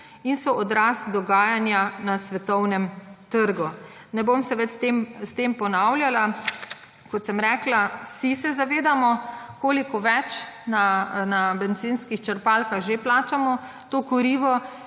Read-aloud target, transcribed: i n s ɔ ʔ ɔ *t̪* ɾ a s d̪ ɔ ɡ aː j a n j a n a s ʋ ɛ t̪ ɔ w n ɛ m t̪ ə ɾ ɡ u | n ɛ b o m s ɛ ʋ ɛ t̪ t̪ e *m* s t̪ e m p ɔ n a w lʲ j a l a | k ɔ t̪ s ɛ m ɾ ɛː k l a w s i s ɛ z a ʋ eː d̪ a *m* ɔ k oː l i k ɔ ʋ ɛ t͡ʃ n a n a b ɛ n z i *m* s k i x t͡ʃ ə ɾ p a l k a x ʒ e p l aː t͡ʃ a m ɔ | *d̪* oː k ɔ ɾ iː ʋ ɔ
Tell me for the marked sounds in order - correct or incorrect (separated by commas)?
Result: incorrect, correct, correct, incorrect, incorrect